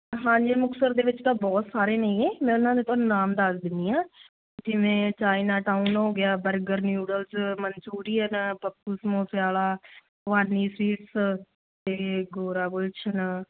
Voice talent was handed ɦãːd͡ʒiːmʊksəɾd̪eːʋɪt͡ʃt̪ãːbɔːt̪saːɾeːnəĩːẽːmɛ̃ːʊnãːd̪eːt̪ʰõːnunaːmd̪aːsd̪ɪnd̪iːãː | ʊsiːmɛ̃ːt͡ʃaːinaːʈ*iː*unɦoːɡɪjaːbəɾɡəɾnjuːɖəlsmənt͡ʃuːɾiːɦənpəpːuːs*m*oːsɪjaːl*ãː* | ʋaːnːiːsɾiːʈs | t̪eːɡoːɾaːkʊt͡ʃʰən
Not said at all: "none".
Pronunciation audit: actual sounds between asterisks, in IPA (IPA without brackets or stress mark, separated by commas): aː, m, aː